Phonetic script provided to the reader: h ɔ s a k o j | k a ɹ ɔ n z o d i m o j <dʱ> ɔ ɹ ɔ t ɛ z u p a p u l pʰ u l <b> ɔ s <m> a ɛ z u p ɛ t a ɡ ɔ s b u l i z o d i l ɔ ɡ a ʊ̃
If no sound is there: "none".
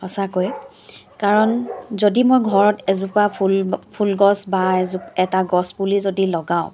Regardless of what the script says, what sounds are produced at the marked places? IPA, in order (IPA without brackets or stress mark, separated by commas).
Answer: ɡʱ, ɡ, b